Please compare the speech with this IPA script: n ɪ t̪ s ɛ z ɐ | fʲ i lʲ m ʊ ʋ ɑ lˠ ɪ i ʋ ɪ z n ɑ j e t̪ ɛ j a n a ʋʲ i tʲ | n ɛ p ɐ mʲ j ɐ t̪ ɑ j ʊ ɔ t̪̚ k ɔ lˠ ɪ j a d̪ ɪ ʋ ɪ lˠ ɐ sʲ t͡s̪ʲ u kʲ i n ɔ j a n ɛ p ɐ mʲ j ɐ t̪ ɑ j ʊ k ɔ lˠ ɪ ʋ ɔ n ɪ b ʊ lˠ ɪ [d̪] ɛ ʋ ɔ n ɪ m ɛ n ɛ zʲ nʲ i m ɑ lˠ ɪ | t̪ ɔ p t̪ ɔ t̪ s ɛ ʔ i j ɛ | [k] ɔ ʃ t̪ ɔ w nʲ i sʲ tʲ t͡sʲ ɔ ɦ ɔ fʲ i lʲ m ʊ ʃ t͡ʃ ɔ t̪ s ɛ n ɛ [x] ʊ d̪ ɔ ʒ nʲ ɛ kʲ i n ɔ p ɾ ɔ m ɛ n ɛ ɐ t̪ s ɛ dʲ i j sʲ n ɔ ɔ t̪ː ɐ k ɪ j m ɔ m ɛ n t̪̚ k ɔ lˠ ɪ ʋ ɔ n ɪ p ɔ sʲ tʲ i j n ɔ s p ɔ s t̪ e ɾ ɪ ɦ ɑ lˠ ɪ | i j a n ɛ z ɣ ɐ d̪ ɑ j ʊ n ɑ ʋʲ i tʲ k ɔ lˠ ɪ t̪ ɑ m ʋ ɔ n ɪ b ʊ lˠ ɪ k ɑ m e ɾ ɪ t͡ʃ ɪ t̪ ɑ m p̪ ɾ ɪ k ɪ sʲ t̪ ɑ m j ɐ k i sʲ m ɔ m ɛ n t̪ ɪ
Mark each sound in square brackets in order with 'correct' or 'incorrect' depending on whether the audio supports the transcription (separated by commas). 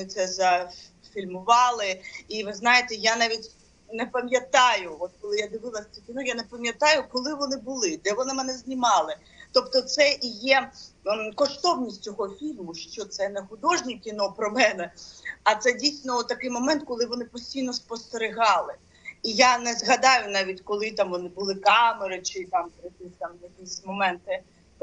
correct, correct, correct